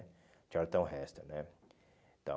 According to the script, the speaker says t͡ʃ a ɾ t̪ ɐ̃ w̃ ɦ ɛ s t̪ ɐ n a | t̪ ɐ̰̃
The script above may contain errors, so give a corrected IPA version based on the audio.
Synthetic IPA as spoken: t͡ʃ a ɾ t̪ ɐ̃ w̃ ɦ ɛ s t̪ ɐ n ɛ | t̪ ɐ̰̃